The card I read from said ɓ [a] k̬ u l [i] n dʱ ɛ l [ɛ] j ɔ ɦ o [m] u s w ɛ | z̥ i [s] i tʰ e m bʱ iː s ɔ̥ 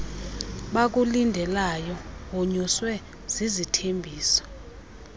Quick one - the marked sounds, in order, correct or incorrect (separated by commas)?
correct, correct, incorrect, incorrect, incorrect